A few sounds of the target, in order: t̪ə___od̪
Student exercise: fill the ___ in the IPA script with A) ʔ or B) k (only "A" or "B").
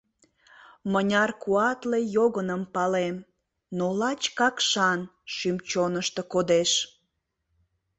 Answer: B